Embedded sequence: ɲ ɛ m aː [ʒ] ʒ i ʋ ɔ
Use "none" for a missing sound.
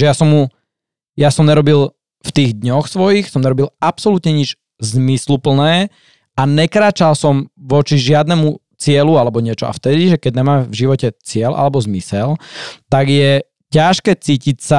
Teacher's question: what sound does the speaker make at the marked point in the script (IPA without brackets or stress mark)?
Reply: v